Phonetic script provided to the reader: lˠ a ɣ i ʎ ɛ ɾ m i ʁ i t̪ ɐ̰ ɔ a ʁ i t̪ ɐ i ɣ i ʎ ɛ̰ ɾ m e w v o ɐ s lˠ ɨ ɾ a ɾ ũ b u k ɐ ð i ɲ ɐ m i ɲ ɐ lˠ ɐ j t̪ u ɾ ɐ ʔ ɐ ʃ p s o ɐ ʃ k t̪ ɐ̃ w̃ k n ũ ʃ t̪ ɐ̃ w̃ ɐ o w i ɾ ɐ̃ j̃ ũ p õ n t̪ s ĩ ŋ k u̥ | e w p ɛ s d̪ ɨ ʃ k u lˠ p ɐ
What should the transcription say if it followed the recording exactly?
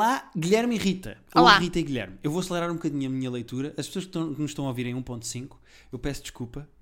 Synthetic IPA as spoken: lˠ a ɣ i ʎ ɛ ɾ m i ʁ i t̪ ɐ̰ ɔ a ʁ i t̪ ɐ i ɣ i ʎ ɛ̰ ɾ m e w v o ɐ s lˠ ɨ ɾ a ɾ ũ b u k ɐ ð i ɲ ɐ m i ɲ ɐ lˠ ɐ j t̪ u ɾ ɐ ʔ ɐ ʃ p s o ɐ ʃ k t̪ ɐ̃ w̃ k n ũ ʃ t̪ ɐ̃ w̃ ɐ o v i ɾ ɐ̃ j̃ ũ p õ n t̪ s ĩ ŋ k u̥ | e w p ɛ s d̪ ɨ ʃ k u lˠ p ɐ